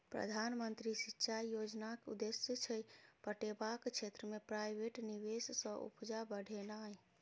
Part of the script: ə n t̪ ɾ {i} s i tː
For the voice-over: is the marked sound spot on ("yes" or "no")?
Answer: yes